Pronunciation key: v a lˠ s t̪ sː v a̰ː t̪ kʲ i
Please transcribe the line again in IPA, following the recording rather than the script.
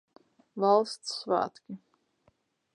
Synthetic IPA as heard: v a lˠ s t̪ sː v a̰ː t̪ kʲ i